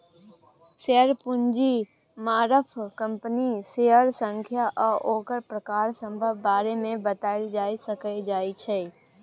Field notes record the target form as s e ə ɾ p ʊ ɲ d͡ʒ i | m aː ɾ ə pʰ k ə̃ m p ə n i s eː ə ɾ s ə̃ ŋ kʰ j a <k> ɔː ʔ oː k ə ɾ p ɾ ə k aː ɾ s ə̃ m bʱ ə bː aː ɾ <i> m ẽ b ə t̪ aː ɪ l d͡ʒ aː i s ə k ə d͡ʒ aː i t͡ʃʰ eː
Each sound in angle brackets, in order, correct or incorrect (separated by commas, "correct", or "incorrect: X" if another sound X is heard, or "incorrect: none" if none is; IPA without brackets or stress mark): incorrect: ʔ, incorrect: e